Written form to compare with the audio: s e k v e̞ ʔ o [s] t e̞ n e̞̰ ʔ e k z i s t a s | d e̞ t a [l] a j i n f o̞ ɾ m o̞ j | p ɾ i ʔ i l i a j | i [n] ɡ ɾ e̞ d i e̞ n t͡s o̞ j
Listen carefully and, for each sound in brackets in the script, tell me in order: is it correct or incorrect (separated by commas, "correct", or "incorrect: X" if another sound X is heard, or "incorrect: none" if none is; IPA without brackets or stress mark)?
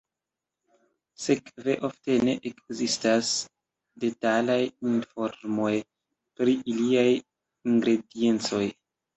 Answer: incorrect: f, correct, incorrect: ŋ